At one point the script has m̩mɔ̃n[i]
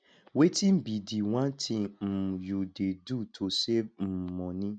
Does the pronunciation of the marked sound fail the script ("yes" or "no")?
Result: yes